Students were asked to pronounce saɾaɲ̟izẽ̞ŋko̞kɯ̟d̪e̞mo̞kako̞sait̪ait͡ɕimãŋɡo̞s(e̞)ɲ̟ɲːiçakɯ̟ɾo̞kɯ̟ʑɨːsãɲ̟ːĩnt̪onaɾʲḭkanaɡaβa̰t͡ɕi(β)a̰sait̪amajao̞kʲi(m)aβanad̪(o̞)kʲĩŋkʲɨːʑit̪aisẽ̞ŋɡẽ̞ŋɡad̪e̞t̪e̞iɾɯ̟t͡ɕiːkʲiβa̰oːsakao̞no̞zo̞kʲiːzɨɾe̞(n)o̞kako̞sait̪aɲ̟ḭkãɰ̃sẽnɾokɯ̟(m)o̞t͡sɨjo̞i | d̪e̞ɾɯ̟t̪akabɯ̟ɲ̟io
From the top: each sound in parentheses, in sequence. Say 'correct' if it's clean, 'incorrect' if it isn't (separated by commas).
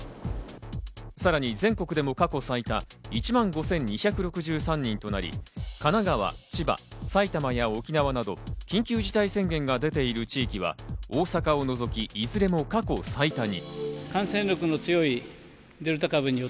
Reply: incorrect, incorrect, incorrect, correct, incorrect, incorrect